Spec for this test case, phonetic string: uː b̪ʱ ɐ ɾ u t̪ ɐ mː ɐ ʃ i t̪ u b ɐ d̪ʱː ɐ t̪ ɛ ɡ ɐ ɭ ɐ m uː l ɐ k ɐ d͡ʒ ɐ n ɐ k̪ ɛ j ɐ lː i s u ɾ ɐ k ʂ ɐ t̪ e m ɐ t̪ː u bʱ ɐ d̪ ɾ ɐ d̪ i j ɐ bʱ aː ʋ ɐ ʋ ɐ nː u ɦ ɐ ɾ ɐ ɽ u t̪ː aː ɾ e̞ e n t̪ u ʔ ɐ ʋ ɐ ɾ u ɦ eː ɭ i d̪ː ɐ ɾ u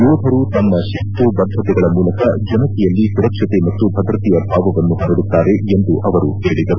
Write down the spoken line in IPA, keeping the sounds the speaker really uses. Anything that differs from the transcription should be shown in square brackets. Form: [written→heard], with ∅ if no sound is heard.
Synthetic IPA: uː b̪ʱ ɐ ɾ u t̪ ɐ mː ɐ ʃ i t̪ u b ɐ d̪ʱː ɐ t̪ ɛ ɡ ɐ ɭ ɐ m uː l ɐ k ɐ d͡ʒ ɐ n ɐ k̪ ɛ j ɐ lː i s u ɾ ɐ k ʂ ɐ t̪ e m ɐ t̪ː u bʱ ɐ d̪ ɾ ɐ [d̪→t̪] i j ɐ bʱ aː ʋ ɐ ʋ ɐ nː u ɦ ɐ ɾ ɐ ɽ u t̪ː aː ɾ e̞ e n [t̪→d̪] u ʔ ɐ ʋ ɐ ɾ u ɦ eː ɭ i [d̪ː→d̪] ɐ ɾ u

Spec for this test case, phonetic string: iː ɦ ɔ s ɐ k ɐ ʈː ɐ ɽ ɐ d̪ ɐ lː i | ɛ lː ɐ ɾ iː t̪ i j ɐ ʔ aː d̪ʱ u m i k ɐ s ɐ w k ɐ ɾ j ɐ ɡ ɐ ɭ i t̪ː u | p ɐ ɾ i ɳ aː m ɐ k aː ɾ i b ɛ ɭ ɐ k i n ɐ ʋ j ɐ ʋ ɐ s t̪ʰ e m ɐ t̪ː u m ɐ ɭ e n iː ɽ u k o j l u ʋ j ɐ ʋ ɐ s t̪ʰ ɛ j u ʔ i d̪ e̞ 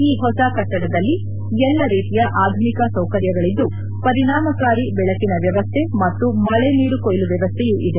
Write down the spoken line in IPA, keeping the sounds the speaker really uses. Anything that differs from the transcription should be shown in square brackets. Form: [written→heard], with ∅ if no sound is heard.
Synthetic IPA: iː ɦ ɔ s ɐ k ɐ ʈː ɐ ɽ ɐ d̪ ɐ lː i | ɛ lː ɐ ɾ iː t̪ i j ɐ ʔ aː d̪ʱ u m i k ɐ s ɐ w k ɐ ɾ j ɐ ɡ ɐ ɭ i [t̪ː→d̪ː] u | p ɐ ɾ i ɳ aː m ɐ k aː ɾ i b ɛ ɭ ɐ k i n ɐ ʋ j ɐ ʋ ɐ s t̪ʰ e m ɐ t̪ː u m ɐ ɭ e n iː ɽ u k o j l u ʋ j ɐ ʋ ɐ s t̪ʰ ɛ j u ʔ i d̪ e̞

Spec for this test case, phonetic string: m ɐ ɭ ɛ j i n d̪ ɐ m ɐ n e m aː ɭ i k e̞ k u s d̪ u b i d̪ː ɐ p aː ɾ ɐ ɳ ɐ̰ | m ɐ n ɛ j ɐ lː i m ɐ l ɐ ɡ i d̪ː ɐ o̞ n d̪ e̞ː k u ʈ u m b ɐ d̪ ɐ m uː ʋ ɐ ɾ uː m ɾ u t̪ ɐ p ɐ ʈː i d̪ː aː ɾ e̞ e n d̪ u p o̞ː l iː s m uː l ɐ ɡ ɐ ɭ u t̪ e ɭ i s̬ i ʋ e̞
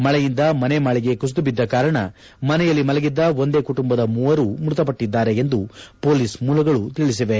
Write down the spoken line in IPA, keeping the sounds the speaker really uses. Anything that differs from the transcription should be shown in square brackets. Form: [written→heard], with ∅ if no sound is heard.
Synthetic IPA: m ɐ ɭ ɛ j i n d̪ ɐ m ɐ n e m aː ɭ i [k→ɡ] e̞ k u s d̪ u b i d̪ː ɐ [p→k] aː ɾ ɐ ɳ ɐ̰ | m ɐ n ɛ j ɐ lː i m ɐ l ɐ ɡ i d̪ː ɐ o̞ n d̪ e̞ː k u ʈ u m b ɐ d̪ ɐ m uː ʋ ɐ ɾ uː m ɾ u t̪ ɐ p ɐ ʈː i d̪ː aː ɾ e̞ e n d̪ u p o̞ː l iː s m uː l ɐ ɡ ɐ ɭ u t̪ [e→i] ɭ i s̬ i ʋ e̞

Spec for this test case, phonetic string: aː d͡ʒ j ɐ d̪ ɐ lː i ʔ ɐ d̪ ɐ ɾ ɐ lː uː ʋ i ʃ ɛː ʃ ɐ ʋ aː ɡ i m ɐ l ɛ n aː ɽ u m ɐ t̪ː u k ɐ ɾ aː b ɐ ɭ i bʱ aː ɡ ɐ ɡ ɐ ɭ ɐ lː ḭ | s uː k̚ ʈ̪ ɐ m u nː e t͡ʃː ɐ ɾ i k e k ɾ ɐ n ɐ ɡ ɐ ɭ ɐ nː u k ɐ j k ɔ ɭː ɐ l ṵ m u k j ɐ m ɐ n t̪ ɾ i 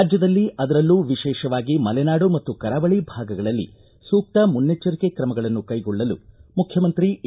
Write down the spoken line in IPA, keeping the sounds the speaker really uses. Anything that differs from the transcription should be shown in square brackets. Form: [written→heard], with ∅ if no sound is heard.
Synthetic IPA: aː d͡ʒ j ɐ d̪ ɐ lː i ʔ ɐ d̪ ɐ ɾ ɐ lː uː ʋ i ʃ ɛː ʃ ɐ ʋ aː ɡ i m ɐ l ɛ n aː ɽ u m ɐ t̪ː u k ɐ ɾ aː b ɐ ɭ i bʱ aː ɡ ɐ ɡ ɐ ɭ ɐ lː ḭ | s uː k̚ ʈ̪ ɐ m u nː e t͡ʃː ɐ ɾ i k e k ɾ ɐ [n→m] ɐ ɡ ɐ ɭ ɐ nː u k ɐ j [k→ɡ] ɔ ɭː ɐ l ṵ m u [k→kʰ] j ɐ m ɐ n t̪ ɾ i

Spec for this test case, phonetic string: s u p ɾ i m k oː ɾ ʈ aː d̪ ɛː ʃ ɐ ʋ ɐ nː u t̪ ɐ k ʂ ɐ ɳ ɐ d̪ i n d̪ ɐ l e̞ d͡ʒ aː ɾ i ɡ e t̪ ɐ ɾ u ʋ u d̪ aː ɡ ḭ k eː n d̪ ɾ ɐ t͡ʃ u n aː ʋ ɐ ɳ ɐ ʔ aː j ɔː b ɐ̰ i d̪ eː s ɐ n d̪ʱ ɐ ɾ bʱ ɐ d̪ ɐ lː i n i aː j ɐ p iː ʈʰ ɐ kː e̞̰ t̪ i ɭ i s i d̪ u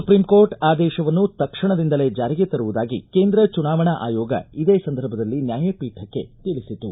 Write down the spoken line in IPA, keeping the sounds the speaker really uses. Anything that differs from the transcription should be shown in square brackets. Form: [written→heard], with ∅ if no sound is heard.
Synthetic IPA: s u p ɾ i m k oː ɾ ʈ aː d̪ ɛː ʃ ɐ ʋ ɐ nː u t̪ ɐ k ʂ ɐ ɳ ɐ d̪ i n d̪ ɐ l e̞ d͡ʒ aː ɾ i ɡ e t̪ ɐ ɾ u ʋ u d̪ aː ɡ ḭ k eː n d̪ ɾ ɐ t͡ʃ u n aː ʋ ɐ ɳ ɐ ʔ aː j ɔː [b→ɡ] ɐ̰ i d̪ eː s ɐ n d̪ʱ ɐ ɾ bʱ ɐ d̪ ɐ lː i n [i→j] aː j ɐ p iː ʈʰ ɐ kː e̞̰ t̪ i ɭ i s i [d̪→t̪] u

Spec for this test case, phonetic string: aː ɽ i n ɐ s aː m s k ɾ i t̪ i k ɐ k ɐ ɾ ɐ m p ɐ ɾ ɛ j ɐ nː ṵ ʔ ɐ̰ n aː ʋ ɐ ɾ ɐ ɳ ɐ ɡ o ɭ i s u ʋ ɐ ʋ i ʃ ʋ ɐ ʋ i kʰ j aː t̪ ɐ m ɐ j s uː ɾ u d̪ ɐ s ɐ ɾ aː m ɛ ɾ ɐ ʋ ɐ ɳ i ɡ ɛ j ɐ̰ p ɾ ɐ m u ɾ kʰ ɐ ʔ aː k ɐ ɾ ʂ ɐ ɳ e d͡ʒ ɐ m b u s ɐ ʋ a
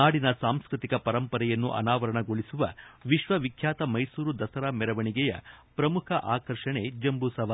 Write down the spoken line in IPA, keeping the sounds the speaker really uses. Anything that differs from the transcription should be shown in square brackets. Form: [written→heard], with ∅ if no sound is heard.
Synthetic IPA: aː ɽ i n ɐ s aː m s k ɾ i t̪ i k ɐ [k→p] ɐ ɾ ɐ m p ɐ ɾ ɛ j ɐ nː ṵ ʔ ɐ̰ n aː ʋ ɐ ɾ ɐ ɳ ɐ ɡ o ɭ i s u ʋ ɐ ʋ i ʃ ʋ ɐ ʋ i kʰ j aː t̪ ɐ m ɐ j s uː ɾ u d̪ ɐ s ɐ ɾ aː m ɛ ɾ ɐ ʋ ɐ ɳ i ɡ ɛ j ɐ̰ p ɾ ɐ m u [ɾ→∅] kʰ ɐ ʔ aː k ɐ ɾ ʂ ɐ ɳ e d͡ʒ ɐ m b u s ɐ ʋ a

